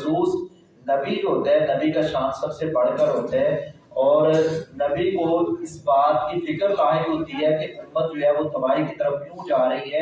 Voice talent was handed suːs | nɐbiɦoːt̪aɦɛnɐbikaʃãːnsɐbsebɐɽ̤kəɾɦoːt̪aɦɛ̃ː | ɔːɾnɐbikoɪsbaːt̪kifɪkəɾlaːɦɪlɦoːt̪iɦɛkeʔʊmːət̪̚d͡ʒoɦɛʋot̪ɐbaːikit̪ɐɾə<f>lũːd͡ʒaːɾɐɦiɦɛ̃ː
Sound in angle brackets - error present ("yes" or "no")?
no